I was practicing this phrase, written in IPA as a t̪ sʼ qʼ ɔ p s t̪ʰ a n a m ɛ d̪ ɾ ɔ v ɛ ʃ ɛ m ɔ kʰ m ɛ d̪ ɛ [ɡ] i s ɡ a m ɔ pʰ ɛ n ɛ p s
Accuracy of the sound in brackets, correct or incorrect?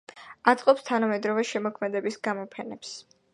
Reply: incorrect